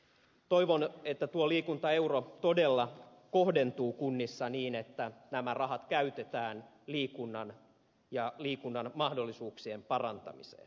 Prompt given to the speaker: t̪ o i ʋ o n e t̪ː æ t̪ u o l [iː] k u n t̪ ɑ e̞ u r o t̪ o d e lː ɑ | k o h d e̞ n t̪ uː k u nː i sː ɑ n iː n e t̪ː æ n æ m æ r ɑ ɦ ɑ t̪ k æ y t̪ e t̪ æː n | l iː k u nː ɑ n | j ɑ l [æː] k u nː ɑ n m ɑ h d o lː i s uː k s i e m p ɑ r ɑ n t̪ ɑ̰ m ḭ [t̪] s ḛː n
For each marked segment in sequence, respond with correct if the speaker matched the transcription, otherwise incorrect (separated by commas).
correct, incorrect, incorrect